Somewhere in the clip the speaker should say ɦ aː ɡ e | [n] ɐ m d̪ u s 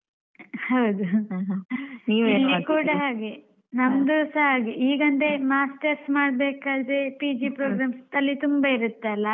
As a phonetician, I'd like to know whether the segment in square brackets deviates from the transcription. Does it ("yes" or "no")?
no